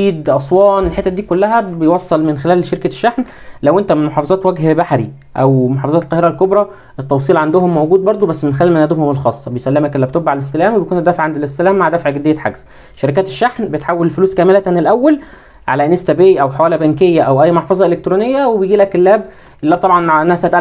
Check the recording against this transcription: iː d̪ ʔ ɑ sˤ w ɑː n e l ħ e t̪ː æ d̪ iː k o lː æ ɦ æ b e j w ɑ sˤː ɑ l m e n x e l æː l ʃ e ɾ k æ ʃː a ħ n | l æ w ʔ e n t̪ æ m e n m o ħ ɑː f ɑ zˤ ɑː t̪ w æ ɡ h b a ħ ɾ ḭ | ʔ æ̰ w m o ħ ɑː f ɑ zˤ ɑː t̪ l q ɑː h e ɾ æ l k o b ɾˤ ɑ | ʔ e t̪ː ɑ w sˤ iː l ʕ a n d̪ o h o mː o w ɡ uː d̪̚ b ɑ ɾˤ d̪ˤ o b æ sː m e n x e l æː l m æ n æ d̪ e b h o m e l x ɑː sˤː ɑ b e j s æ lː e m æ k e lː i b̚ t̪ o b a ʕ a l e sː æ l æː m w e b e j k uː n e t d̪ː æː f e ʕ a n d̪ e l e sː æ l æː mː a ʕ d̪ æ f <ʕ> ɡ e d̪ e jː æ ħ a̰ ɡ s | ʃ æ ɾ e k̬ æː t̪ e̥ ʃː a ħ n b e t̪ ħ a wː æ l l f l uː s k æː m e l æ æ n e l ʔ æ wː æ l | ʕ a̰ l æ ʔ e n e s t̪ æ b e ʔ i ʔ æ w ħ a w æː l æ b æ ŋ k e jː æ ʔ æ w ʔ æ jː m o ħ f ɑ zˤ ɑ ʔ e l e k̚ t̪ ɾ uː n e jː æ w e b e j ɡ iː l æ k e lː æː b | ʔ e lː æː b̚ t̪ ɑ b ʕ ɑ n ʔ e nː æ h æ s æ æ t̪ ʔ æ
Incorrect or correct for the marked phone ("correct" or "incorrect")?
correct